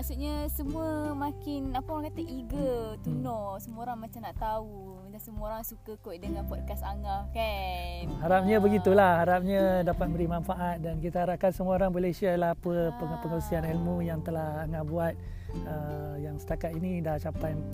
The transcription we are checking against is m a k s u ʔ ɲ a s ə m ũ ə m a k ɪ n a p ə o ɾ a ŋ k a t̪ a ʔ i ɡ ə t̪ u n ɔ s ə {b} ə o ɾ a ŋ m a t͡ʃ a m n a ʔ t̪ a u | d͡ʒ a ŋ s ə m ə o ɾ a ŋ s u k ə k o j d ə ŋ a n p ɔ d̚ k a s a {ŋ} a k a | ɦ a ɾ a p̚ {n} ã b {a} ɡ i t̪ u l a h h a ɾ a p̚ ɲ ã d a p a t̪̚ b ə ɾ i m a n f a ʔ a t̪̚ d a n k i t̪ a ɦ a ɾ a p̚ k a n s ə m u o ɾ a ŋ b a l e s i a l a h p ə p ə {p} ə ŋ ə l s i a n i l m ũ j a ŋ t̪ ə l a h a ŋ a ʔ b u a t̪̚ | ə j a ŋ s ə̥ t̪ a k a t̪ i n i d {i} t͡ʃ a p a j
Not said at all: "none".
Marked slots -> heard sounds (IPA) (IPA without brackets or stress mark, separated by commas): m, ŋ, ɲ, ə, p, a